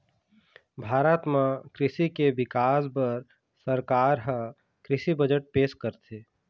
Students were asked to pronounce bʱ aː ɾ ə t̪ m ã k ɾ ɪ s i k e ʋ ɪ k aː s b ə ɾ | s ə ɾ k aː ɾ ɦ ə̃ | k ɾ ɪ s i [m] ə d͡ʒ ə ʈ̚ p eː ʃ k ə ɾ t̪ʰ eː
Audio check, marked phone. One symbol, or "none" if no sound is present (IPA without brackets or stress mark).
b